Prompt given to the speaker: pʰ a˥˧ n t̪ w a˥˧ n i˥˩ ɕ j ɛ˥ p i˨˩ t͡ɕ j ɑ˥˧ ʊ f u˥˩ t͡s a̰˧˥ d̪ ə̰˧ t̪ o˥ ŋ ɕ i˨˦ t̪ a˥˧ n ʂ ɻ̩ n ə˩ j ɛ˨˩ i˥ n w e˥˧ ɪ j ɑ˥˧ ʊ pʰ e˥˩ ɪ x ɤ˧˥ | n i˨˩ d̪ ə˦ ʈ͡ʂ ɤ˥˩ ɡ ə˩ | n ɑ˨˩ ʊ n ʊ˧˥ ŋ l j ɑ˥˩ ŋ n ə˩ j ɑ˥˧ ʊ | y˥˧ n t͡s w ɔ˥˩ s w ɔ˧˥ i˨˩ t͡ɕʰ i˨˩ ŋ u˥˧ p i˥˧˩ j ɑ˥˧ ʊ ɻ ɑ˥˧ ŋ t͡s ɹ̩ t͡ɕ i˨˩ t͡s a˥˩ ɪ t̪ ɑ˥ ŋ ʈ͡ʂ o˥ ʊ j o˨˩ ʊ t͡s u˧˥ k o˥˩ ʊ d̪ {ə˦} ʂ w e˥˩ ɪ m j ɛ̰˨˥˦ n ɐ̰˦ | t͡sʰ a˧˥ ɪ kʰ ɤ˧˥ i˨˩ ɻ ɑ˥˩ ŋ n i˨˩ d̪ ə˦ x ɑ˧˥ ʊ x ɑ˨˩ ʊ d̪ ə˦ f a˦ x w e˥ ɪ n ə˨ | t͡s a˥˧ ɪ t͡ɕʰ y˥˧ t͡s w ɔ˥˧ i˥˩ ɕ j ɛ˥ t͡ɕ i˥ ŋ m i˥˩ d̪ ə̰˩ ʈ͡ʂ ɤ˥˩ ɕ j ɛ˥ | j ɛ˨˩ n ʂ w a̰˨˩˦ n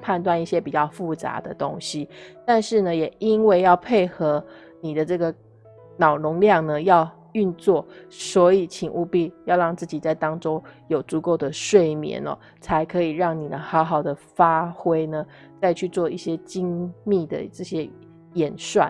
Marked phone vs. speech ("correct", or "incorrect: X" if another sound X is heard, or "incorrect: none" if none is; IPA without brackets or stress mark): incorrect: ə˩